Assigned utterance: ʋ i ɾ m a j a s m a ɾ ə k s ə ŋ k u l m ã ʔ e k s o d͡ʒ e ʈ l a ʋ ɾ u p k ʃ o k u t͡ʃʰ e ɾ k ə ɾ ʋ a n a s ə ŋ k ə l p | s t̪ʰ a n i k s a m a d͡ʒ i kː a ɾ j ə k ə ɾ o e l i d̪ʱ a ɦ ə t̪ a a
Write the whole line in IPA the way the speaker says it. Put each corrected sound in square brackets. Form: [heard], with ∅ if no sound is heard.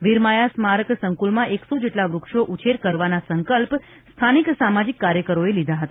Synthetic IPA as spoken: ʋ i ɾ m a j a s m a ɾ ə k s ə ŋ k u l m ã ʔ e k s o d͡ʒ e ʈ l a ʋ ɾ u [∅] k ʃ o [ʔ] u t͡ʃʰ e ɾ k ə ɾ ʋ a n a s ə ŋ k ə l p | s t̪ʰ a n i k s a m a d͡ʒ i kː a ɾ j ə k ə ɾ o e l i d̪ʱ a ɦ ə t̪ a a